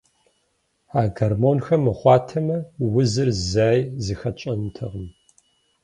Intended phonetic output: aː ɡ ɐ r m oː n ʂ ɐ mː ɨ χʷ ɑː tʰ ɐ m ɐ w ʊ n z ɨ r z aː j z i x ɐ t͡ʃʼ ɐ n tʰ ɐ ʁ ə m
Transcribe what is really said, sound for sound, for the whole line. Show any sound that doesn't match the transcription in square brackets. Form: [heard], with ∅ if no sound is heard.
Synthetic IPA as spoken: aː ɡ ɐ r m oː n [x] ɐ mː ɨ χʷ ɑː tʰ ɐ m ɐ w ʊ [∅] z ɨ r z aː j z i x ɐ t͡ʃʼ ɐ n tʰ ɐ ʁ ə m